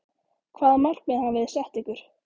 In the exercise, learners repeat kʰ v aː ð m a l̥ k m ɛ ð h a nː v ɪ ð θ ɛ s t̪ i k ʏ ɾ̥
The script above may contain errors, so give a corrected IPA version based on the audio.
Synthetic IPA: kʰ v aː ð m a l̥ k m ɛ ð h a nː v ɪ ð s ɛ h t̪ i k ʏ ɾ̥